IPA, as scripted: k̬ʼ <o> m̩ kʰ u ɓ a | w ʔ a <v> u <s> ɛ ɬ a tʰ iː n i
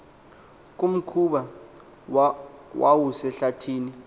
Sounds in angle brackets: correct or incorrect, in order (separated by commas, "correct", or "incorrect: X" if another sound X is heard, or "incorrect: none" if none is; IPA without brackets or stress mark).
incorrect: u, incorrect: w, correct